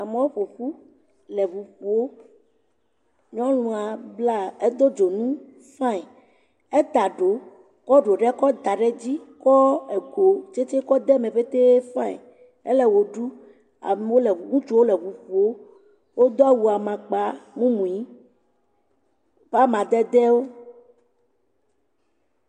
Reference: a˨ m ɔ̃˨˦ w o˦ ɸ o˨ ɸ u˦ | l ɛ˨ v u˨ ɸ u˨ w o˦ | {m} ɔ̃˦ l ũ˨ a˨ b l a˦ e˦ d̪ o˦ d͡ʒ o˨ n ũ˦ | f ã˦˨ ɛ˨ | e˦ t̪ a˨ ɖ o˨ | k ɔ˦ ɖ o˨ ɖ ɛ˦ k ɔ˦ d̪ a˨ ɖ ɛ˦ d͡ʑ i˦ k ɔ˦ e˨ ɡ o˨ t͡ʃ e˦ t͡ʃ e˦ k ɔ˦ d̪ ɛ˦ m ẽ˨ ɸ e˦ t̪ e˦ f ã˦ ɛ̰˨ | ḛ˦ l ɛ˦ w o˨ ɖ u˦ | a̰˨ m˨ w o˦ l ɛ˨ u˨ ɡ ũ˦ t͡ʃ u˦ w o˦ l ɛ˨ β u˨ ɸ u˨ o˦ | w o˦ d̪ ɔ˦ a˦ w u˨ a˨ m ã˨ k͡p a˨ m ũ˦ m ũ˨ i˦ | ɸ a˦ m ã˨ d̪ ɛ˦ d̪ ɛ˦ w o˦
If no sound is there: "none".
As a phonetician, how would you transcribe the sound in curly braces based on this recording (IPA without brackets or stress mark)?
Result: ɲ